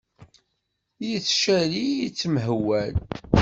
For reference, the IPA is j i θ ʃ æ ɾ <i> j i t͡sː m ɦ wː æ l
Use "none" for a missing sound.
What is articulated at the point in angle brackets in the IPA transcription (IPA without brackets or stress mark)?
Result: i